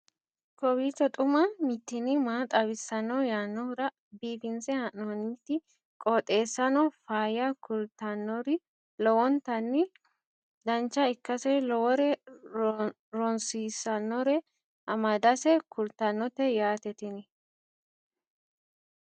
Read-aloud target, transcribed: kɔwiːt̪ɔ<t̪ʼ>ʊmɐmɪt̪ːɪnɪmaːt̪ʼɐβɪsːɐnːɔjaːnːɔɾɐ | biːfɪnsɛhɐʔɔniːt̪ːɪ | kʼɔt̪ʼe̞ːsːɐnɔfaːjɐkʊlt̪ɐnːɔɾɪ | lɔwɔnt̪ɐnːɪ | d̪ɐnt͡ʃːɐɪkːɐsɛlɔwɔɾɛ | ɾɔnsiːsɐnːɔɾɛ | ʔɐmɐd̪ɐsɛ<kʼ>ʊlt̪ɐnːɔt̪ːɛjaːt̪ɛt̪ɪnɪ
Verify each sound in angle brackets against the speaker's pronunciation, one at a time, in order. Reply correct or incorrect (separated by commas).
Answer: correct, incorrect